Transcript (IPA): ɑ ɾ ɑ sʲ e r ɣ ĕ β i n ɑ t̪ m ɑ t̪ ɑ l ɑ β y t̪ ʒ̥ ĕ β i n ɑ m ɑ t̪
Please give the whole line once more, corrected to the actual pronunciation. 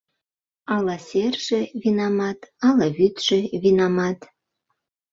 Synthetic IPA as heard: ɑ l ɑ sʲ e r ʒ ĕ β i n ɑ m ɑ t̪ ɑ l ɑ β y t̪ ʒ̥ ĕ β i n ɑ m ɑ t̪